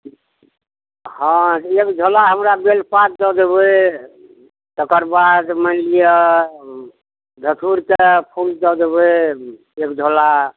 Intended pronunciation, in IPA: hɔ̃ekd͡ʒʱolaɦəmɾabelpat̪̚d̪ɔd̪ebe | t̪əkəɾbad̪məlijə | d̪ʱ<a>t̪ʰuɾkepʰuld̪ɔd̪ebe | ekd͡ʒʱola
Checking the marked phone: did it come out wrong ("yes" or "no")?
yes